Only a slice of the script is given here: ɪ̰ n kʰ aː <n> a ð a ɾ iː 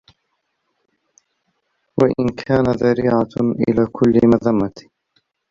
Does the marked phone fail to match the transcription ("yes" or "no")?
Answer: no